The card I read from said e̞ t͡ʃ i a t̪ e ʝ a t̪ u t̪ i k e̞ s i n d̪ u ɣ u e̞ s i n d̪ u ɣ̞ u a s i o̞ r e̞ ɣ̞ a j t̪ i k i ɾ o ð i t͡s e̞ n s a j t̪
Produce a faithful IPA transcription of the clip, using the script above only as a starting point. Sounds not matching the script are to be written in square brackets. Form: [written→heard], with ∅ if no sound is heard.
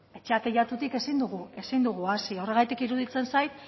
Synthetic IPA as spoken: e̞ t͡ʃ [i→e] a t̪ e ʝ a t̪ u t̪ i k e̞ s i n d̪ u ɣ u e̞ s i n d̪ u ɣ̞ u a s i o̞ r e̞ ɣ̞ a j t̪ i k i ɾ [o→u] ð i t͡s e̞ n s a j t̪